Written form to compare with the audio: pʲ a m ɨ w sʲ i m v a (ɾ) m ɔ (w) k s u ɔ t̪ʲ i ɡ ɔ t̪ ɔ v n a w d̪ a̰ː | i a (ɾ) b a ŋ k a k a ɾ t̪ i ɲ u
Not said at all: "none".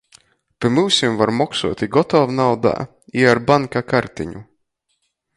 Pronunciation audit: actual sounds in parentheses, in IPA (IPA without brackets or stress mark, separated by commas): ɾ, none, ɾ